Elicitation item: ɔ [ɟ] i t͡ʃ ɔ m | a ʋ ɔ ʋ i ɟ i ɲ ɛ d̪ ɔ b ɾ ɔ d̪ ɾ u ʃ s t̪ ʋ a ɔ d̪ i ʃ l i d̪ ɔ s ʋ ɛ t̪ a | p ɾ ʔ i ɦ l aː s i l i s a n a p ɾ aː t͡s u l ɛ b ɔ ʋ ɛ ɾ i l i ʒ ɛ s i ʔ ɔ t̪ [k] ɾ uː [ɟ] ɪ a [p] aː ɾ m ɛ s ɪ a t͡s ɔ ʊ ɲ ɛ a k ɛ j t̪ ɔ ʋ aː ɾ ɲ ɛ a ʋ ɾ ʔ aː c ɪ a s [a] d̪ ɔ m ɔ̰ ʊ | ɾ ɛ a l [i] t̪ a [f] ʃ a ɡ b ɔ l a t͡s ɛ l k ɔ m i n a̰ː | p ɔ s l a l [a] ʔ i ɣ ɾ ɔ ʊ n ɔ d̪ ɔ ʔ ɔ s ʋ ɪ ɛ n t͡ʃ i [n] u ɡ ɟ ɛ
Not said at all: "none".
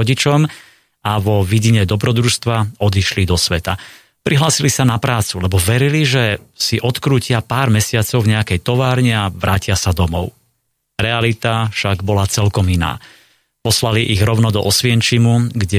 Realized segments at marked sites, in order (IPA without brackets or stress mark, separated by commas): ɟ, k, c, p, a, i, f, i, m